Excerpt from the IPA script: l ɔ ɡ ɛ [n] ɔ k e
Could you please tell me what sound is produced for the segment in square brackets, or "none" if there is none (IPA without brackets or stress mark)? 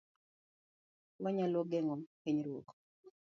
ŋ